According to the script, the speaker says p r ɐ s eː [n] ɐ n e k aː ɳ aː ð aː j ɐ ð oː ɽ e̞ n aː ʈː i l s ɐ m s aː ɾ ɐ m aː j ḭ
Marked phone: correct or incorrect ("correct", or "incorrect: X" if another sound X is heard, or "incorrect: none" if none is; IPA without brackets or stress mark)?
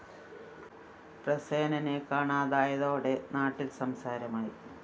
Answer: correct